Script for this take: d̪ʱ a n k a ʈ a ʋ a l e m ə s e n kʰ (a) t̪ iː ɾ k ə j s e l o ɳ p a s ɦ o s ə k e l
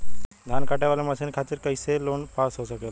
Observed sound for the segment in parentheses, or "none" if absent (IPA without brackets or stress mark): a